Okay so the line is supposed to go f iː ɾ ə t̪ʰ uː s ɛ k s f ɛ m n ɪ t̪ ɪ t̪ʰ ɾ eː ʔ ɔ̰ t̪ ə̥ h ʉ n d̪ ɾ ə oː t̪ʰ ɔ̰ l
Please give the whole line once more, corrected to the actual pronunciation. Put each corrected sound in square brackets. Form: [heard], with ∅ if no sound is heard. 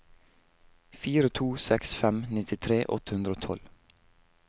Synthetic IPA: f iː ɾ ə t̪ʰ uː s ɛ k s f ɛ m n ɪ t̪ ɪ t̪ʰ ɾ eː ʔ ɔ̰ t̪ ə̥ h ʉ n d̪ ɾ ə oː t̪ʰ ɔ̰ l